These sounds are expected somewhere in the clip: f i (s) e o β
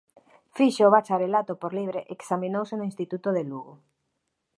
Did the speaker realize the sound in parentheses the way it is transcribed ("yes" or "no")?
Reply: no